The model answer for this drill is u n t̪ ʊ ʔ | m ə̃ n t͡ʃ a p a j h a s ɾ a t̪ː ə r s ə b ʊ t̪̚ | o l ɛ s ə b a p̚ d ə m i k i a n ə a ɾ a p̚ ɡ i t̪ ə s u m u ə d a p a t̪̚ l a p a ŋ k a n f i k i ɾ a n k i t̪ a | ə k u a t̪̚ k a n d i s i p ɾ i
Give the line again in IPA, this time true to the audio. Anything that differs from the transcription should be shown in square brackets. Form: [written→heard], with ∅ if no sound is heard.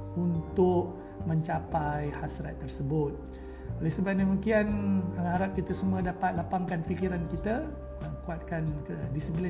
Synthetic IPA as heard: u n t̪ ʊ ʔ | m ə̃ [n→ɲ] t͡ʃ a p a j h a s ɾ a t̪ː ə r s ə b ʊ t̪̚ | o l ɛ s ə b a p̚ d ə m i k i a n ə a ɾ a p̚ [ɡ→k] i t̪ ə s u m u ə d a p a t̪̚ l a p a ŋ k a n f i k i ɾ a n k i t̪ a | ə k u a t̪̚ k a n d i s i p [ɾ→l] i